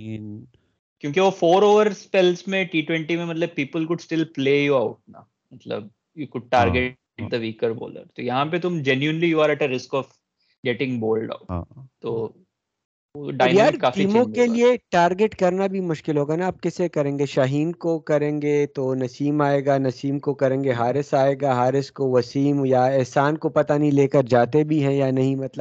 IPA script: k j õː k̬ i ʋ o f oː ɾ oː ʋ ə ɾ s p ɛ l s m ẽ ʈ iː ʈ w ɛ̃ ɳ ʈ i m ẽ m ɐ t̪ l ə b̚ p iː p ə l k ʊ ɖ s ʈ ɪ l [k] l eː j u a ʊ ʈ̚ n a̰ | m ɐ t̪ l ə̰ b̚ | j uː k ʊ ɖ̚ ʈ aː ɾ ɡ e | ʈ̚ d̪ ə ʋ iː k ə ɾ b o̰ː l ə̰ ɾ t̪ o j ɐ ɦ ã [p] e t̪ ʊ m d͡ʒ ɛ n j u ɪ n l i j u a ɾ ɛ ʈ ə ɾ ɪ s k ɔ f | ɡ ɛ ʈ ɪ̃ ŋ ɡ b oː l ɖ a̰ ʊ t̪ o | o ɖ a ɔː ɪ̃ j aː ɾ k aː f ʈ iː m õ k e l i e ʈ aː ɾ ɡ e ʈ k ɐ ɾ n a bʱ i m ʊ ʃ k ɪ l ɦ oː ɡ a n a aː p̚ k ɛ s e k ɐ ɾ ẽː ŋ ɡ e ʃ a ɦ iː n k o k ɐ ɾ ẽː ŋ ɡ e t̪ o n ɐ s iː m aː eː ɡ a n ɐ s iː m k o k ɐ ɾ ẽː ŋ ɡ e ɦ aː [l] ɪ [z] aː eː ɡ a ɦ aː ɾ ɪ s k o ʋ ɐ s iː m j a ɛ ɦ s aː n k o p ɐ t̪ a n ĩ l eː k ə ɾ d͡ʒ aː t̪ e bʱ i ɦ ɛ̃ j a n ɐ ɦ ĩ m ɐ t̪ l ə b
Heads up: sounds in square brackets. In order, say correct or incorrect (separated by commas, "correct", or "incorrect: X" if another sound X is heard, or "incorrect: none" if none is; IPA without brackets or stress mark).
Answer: incorrect: p, correct, incorrect: ɾ, incorrect: s